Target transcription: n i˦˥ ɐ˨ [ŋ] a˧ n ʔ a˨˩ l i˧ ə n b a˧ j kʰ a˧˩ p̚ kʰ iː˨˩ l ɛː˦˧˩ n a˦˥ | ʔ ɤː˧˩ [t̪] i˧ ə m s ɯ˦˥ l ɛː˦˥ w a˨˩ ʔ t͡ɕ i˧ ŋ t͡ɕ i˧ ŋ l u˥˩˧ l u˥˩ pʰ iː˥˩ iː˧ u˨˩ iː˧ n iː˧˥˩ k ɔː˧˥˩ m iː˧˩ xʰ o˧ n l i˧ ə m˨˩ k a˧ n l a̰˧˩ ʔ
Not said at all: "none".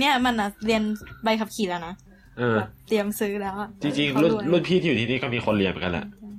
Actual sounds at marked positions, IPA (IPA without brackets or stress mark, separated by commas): m, t̪